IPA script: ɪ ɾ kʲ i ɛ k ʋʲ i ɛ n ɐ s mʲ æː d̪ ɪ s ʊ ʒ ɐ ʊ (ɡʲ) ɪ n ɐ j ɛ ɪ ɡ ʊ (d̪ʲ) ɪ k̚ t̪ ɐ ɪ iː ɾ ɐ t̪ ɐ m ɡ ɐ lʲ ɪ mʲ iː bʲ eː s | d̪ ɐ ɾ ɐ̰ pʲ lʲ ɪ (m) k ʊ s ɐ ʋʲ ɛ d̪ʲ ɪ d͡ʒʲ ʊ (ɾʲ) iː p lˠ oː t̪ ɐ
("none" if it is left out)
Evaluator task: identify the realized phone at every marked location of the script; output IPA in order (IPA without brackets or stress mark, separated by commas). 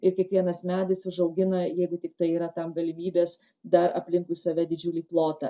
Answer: ɡʲ, t̪ʲ, ŋ, lʲ